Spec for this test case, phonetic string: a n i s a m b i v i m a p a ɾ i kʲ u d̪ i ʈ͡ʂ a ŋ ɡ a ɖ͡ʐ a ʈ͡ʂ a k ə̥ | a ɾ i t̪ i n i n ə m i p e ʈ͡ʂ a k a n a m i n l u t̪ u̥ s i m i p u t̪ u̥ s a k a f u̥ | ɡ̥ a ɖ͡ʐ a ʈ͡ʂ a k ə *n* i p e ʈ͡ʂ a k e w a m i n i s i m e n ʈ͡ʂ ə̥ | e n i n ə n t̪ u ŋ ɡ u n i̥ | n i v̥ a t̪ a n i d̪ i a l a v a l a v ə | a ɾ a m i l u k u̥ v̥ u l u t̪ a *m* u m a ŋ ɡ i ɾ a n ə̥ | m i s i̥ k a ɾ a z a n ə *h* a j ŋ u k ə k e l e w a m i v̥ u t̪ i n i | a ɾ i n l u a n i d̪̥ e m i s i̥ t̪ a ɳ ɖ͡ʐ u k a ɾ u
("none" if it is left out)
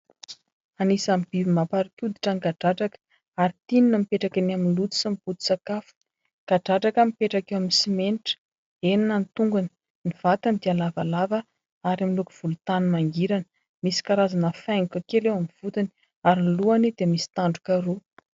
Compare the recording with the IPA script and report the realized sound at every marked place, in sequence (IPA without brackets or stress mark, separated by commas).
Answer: m, n, f